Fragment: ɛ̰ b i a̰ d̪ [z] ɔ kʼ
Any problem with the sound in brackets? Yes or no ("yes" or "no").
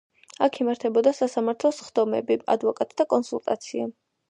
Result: yes